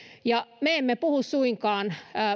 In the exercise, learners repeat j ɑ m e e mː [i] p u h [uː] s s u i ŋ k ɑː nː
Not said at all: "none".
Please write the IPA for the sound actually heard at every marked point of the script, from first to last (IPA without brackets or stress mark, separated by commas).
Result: e, u